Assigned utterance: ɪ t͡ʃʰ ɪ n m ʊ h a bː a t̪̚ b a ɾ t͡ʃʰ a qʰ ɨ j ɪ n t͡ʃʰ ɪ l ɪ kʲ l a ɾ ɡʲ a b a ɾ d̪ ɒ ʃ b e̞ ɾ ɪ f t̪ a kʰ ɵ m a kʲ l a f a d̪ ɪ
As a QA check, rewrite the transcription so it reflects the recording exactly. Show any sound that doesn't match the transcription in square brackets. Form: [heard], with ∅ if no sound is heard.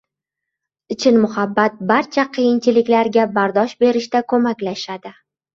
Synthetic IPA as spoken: ɪ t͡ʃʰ ɪ n m ʊ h a bː a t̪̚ b a ɾ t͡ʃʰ a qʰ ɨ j ɪ n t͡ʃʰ ɪ l ɪ kʲ l a ɾ ɡʲ a b a ɾ d̪ ɒ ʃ b e̞ ɾ ɪ [ʃ] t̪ a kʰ ɵ m a kʲ l a [ʃ] a d̪ ɪ